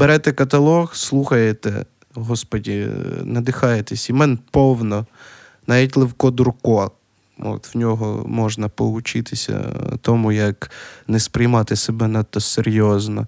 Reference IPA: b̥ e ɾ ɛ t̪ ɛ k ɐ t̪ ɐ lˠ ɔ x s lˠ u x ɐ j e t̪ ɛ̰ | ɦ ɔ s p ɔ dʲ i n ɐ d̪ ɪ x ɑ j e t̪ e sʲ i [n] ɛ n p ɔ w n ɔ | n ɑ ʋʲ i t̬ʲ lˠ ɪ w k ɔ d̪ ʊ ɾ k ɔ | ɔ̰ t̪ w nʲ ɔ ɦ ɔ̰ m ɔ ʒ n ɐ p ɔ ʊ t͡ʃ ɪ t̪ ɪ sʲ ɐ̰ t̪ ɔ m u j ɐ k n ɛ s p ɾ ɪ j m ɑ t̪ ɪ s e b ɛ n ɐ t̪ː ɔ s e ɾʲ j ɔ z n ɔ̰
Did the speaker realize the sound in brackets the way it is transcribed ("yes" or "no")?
no